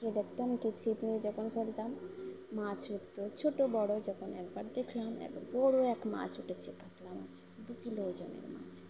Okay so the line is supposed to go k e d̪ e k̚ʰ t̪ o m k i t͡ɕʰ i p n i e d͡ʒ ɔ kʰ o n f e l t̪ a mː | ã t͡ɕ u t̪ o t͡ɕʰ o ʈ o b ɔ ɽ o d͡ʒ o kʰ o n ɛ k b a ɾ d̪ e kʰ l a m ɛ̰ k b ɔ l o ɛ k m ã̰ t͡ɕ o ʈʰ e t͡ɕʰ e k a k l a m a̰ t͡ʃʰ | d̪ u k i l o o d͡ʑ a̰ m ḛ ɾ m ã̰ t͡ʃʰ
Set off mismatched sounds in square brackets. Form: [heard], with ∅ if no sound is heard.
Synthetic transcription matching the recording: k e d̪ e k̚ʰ t̪ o m k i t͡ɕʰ i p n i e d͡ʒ ɔ kʰ o n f e l t̪ a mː | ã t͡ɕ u t̪ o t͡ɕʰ o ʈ o b ɔ ɽ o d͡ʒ [ɔ] kʰ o n ɛ k b a ɾ d̪ e kʰ l a m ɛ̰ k b ɔ [ɽ] o ɛ k m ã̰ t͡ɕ [u] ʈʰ e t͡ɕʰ e k a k l a m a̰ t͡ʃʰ | d̪ u k i l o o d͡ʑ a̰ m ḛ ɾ m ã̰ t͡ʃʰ

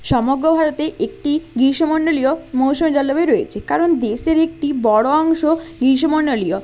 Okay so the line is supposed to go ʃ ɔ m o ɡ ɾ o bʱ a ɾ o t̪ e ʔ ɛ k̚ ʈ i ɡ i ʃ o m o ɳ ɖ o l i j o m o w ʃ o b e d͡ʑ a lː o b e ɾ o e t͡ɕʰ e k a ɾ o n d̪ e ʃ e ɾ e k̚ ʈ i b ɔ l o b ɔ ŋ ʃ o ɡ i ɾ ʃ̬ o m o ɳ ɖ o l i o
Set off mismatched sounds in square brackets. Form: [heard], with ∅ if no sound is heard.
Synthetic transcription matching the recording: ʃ ɔ m o ɡ ɾ o bʱ a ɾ o t̪ e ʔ [e] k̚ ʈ i ɡ i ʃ o m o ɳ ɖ o l i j o m o w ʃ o [m] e d͡ʑ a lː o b e ɾ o e t͡ɕʰ e k a ɾ o n d̪ e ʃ e ɾ e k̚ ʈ i b ɔ [ɽ] o [∅] ɔ ŋ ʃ o ɡ i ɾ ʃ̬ o m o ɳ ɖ o l i o

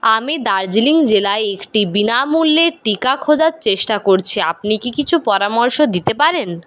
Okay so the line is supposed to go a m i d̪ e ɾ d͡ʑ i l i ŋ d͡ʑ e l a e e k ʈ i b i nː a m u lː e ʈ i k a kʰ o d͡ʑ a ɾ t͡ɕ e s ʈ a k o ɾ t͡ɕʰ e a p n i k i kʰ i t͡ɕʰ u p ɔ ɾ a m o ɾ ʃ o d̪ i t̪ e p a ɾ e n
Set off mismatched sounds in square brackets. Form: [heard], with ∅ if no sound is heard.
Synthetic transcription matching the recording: a m i d̪ [a] ɾ d͡ʑ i l i ŋ d͡ʑ e l a e e k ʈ i b i [n] a m u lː e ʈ i k a kʰ o d͡ʑ a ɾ t͡ɕ e [ʃ] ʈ a k o ɾ t͡ɕʰ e a p n i k i [k] i t͡ɕʰ u p ɔ ɾ a m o ɾ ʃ o d̪ i t̪ e p a ɾ e n

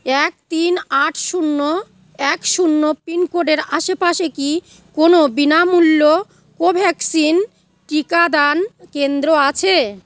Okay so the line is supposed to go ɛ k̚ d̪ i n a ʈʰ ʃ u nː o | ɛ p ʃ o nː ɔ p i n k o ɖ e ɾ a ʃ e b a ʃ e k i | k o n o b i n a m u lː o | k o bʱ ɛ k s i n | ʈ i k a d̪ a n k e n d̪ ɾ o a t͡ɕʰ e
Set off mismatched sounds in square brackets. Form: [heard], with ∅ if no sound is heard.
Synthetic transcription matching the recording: ɛ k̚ [t̪] i n a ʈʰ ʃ u nː o | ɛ [k] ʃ [u] nː [o] p i n k o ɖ e ɾ a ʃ e [p] a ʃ e k i | k o n o b i n a m u lː o | k o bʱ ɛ k s i n | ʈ i k a d̪ a n k e n d̪ ɾ o a t͡ɕʰ e

